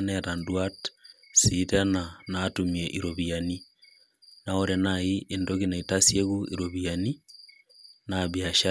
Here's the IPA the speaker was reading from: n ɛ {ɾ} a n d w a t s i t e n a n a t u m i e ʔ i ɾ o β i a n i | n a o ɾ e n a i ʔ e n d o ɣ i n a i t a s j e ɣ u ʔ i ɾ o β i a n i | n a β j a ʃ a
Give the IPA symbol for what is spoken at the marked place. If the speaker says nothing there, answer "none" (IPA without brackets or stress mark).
ɾ